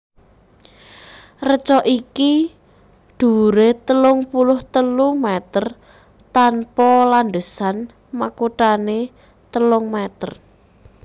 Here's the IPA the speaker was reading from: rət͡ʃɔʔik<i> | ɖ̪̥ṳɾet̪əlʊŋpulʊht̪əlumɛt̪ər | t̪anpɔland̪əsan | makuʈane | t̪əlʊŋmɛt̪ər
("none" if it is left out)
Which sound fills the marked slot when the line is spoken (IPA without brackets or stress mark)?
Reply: i